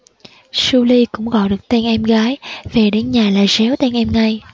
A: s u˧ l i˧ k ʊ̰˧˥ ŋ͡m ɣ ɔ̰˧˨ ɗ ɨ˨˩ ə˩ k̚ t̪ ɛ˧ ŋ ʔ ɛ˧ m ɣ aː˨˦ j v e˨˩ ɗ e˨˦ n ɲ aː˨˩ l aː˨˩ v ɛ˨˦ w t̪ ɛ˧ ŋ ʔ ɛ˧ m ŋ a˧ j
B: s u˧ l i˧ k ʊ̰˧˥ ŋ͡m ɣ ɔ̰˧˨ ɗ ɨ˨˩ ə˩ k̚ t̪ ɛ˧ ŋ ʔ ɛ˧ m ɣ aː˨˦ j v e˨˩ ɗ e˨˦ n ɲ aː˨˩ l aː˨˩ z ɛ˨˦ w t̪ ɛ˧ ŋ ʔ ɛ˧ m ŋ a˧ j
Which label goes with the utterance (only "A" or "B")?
B